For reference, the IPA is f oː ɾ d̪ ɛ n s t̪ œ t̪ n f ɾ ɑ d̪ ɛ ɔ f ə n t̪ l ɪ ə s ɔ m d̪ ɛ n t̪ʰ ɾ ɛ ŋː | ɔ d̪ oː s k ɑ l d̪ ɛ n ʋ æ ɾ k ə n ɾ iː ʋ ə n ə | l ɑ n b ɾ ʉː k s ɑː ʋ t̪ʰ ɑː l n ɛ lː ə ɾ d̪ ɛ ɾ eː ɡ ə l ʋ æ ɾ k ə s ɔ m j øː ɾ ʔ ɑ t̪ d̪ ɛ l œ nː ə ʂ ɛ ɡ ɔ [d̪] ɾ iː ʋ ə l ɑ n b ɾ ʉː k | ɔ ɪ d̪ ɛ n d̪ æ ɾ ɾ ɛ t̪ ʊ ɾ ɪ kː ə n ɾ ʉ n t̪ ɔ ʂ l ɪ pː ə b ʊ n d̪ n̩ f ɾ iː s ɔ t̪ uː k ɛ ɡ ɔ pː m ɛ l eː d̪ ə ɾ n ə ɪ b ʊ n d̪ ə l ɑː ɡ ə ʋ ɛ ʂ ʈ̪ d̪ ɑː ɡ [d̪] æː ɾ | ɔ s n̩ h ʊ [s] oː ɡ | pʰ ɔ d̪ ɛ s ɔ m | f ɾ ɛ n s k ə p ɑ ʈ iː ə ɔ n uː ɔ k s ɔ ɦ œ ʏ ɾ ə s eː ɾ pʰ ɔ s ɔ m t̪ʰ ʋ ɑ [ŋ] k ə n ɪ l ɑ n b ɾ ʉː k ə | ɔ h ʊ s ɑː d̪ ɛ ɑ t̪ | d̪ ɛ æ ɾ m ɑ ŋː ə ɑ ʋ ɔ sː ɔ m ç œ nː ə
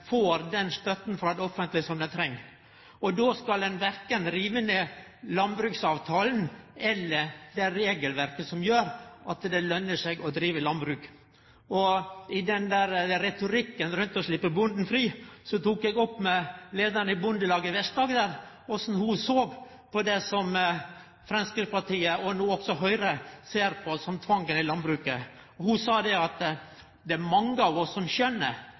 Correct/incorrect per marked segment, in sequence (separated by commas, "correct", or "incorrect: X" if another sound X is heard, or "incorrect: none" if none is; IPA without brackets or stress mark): correct, correct, correct, correct